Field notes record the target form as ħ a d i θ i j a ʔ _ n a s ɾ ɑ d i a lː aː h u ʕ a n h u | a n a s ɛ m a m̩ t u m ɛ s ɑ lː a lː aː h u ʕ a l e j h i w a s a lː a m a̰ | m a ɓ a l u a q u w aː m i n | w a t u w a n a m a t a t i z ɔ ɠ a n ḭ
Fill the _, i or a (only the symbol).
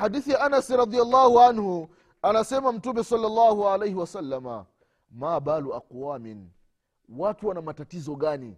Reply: a